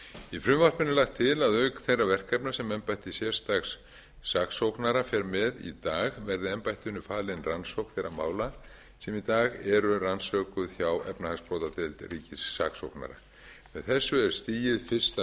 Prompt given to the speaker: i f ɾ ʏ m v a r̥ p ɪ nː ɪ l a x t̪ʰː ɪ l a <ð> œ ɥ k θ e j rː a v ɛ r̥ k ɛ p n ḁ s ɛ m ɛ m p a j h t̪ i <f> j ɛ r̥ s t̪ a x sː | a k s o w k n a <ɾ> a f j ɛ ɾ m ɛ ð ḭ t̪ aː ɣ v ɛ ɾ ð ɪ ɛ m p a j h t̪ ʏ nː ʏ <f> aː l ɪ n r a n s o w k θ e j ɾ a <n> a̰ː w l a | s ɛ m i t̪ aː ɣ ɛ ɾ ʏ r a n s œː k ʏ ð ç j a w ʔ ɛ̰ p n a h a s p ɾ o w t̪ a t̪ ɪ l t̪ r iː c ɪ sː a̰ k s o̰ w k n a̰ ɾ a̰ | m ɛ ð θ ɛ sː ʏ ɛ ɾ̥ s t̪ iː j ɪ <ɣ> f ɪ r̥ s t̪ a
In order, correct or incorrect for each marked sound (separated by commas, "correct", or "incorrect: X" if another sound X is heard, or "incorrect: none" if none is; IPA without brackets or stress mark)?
correct, incorrect: s, correct, correct, incorrect: m, incorrect: ð